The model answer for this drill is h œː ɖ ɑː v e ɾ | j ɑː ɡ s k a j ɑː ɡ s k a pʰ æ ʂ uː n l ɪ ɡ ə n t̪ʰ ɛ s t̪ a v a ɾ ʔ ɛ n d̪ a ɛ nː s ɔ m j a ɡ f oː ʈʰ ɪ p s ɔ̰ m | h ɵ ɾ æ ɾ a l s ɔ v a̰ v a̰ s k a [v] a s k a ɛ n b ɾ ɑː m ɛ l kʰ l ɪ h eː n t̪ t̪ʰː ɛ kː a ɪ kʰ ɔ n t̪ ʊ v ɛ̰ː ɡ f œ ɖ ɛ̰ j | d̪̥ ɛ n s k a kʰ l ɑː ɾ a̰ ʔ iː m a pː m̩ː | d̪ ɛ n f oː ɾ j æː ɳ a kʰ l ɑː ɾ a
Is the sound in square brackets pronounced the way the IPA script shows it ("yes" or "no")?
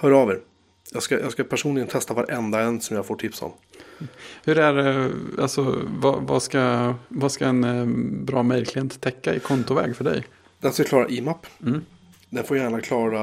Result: yes